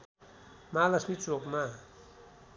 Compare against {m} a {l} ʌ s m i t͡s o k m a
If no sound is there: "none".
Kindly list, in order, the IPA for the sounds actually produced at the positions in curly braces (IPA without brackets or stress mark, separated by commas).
m, l